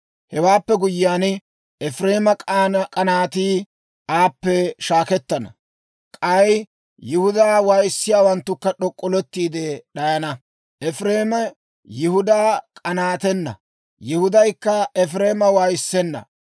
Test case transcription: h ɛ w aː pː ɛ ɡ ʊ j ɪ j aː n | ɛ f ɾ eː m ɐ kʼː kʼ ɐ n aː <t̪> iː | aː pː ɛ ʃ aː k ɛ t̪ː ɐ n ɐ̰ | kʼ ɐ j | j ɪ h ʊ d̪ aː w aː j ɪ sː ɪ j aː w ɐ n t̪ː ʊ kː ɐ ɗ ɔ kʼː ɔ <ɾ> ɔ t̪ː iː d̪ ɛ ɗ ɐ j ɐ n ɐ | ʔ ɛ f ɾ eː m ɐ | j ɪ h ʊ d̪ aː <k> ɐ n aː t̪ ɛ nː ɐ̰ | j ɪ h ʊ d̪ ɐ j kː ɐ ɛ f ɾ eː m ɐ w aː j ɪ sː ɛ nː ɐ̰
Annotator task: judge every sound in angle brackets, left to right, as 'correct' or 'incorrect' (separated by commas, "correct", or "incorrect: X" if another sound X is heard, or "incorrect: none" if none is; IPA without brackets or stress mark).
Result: correct, incorrect: l, incorrect: kʼ